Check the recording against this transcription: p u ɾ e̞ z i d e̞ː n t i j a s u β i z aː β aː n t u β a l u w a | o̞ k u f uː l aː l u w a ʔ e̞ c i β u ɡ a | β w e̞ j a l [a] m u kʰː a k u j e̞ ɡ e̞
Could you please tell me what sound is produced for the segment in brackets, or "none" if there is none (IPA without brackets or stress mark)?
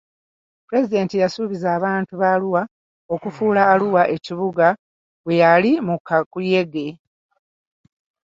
i